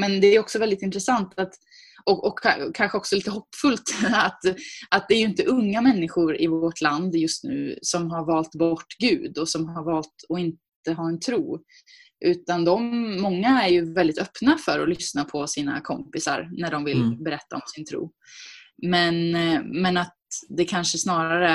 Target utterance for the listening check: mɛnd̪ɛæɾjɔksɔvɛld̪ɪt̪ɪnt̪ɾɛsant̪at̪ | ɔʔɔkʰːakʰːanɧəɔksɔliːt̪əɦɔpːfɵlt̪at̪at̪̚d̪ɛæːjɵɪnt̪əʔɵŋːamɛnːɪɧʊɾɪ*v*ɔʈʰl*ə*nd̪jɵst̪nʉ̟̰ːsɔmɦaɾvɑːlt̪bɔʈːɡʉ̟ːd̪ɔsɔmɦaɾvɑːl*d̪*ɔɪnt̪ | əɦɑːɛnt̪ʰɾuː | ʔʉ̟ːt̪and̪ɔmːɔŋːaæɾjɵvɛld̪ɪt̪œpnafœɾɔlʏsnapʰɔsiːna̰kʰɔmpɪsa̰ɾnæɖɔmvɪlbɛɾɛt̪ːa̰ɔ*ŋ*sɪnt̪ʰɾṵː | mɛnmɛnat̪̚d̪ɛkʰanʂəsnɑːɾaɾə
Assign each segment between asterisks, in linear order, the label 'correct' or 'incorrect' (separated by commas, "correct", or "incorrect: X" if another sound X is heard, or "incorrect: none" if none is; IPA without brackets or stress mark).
correct, incorrect: a, incorrect: t̪, incorrect: m